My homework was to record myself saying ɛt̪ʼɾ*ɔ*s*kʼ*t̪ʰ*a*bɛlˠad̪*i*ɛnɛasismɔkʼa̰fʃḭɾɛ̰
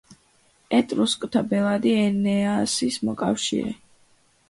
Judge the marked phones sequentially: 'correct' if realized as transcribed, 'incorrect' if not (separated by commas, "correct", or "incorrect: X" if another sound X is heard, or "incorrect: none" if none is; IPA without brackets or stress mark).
incorrect: u, correct, correct, correct